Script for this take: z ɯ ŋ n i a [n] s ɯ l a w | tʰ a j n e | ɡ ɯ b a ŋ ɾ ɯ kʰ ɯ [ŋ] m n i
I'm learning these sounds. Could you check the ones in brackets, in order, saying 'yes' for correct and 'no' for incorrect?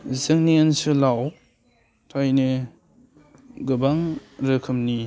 yes, no

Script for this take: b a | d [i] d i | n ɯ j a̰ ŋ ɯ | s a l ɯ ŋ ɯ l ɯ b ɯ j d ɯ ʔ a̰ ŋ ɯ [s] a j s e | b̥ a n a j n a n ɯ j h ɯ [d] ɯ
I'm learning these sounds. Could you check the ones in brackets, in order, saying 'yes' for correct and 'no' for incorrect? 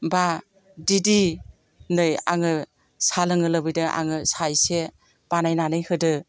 yes, yes, yes

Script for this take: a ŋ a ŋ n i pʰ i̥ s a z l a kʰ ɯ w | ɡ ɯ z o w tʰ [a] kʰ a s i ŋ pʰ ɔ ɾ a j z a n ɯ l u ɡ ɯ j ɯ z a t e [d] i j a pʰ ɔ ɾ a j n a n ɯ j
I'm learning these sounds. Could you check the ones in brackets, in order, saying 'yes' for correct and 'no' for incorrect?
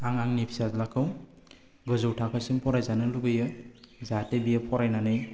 yes, no

